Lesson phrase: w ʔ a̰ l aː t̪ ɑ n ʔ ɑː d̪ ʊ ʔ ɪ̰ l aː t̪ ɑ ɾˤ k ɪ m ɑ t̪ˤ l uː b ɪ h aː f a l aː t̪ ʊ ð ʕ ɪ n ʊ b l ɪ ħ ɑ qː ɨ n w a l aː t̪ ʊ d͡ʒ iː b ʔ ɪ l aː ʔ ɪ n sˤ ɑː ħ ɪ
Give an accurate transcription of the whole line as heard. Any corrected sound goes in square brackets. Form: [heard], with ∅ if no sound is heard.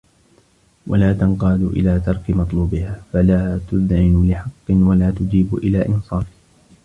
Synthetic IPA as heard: w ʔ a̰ l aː t̪ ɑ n [q] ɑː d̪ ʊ ʔ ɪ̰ l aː t̪ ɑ ɾˤ k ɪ m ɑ t̪ˤ l uː b ɪ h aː f a l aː t̪ ʊ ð ʕ ɪ n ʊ [∅] l ɪ ħ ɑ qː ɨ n w a l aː t̪ ʊ d͡ʒ iː b ʔ ɪ l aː ʔ ɪ n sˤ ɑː [f] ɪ